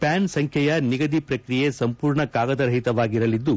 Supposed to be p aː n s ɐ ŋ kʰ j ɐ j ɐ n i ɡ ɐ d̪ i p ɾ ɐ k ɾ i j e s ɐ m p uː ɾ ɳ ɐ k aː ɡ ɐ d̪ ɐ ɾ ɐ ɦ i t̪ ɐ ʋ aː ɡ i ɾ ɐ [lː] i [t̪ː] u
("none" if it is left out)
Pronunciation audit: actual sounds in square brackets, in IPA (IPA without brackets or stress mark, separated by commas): l, d̪ː